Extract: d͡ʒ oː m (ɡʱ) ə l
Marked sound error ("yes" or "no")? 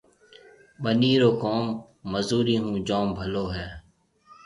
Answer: yes